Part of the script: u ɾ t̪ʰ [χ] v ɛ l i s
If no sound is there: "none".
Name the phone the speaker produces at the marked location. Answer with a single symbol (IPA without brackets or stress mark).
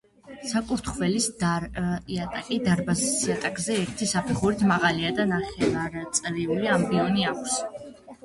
χ